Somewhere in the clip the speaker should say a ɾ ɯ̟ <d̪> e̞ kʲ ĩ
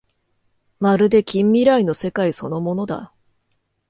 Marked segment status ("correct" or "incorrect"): correct